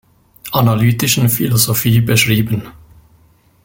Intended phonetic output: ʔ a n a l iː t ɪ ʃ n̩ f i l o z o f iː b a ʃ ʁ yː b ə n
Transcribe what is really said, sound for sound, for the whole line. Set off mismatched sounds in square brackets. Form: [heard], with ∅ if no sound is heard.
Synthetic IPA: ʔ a n a l [yː] t ɪ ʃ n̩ f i l o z o f iː b [ə] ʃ ʁ [iː] b ə n